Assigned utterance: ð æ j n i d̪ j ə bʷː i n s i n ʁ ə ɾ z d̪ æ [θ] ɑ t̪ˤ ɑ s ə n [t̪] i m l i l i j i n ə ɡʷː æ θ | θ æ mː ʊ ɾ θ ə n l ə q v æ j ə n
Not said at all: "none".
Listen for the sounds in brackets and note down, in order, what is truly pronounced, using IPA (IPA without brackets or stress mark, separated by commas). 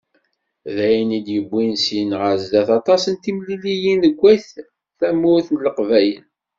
θ, t̪